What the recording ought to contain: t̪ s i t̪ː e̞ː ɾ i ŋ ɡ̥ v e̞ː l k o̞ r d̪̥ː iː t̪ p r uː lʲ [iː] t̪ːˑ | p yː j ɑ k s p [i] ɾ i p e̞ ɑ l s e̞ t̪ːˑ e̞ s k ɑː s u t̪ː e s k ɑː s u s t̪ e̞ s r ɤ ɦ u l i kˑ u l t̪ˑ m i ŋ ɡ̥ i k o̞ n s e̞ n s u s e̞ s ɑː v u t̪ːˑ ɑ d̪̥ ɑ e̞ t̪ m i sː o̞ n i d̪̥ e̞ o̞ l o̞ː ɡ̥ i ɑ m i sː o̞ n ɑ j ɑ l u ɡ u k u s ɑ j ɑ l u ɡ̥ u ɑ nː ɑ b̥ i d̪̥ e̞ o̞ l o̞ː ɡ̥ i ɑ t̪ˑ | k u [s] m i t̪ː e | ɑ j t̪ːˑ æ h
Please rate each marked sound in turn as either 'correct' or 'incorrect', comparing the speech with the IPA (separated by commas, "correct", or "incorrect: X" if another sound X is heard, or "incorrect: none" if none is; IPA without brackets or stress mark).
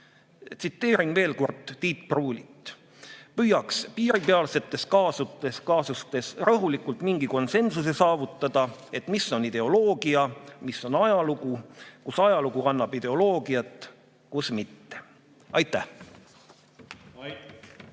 incorrect: i, incorrect: iː, correct